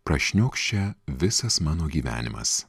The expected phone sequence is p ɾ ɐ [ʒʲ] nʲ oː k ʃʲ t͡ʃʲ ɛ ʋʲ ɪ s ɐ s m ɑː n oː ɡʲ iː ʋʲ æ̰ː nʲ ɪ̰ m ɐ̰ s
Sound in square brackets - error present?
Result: yes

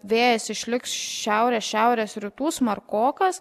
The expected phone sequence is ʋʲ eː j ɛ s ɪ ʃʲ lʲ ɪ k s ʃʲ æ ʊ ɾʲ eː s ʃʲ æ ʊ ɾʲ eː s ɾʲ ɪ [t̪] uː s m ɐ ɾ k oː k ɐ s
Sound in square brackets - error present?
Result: no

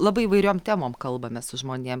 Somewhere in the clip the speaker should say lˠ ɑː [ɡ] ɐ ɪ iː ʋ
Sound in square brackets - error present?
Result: yes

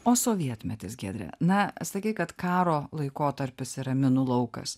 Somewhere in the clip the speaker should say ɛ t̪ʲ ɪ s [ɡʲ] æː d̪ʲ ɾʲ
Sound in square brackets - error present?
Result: no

